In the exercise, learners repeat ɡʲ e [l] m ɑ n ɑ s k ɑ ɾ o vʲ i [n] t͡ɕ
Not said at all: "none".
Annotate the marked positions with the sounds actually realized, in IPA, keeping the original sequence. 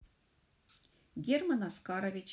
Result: r, none

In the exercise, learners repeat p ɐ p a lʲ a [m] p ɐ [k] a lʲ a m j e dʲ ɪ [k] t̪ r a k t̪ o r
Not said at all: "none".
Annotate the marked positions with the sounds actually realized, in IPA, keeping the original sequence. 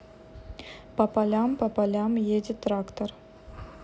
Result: m, p, none

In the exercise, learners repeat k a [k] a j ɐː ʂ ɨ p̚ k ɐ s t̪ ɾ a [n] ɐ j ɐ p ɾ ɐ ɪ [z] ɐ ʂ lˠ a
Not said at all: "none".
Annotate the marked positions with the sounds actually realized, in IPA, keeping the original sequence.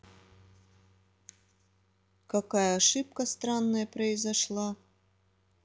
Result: k, nː, z

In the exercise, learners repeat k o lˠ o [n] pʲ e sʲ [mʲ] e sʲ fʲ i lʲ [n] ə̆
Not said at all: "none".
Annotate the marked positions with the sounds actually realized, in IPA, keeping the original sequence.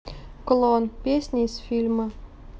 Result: n, nʲ, m

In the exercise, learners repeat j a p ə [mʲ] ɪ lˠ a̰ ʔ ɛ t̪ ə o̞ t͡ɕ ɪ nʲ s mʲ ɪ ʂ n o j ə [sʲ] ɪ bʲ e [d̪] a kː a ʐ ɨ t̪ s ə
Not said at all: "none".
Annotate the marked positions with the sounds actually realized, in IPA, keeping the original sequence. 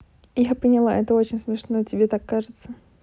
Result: nʲ, tʲ, t̪

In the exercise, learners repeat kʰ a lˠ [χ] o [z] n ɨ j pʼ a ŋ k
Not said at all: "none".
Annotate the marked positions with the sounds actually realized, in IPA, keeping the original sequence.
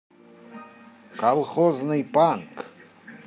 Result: χ, z

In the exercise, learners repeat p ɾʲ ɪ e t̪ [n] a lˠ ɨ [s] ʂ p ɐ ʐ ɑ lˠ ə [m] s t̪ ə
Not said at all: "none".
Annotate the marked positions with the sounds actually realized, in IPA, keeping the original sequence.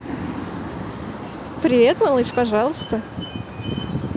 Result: m, none, none

